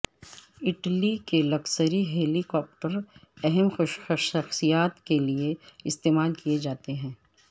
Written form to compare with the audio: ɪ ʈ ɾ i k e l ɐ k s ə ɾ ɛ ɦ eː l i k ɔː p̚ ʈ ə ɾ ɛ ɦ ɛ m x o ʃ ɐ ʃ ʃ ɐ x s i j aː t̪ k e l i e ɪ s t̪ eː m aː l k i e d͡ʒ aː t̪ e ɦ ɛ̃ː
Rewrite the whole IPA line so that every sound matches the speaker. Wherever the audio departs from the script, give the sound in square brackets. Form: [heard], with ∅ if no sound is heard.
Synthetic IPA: ɪ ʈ [l] i k e l ɐ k s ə ɾ [i] ɦ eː l i k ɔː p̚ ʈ ə ɾ ɛ ɦ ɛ m x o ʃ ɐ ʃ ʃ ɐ x s i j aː t̪ k e l i e ɪ s t̪ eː m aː l k i e d͡ʒ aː t̪ e ɦ ɛ̃ː